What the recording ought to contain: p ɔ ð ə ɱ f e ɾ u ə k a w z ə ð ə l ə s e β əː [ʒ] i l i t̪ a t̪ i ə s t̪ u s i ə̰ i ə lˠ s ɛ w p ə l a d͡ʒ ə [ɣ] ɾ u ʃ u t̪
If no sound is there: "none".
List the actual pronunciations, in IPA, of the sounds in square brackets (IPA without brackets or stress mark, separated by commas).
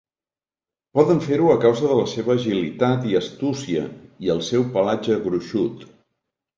ʒ, ɣ